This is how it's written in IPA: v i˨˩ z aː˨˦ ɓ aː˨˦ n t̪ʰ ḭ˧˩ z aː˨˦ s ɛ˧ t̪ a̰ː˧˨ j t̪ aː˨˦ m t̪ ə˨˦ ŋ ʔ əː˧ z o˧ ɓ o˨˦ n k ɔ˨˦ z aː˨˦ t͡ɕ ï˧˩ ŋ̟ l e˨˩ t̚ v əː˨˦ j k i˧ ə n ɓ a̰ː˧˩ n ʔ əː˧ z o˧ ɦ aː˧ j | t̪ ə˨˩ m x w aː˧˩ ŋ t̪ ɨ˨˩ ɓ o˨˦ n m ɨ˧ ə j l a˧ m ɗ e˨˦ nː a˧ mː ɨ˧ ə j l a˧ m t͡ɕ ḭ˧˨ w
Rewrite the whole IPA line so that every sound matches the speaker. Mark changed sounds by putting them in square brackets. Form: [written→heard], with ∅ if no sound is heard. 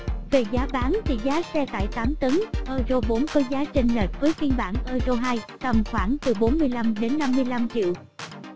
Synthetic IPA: v [i˨˩→e˨˩] z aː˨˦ ɓ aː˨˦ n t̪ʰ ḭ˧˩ z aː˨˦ s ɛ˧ t̪ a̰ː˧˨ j t̪ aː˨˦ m t̪ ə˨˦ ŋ ʔ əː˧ z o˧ ɓ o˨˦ n k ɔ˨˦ z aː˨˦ t͡ɕ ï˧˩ ŋ̟ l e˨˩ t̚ v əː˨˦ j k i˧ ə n ɓ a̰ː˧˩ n ʔ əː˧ z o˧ ɦ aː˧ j | t̪ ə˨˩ m x w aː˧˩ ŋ t̪ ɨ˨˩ ɓ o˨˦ n m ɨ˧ ə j l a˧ m ɗ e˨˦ nː a˧ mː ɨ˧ ə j l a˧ m t͡ɕ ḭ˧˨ w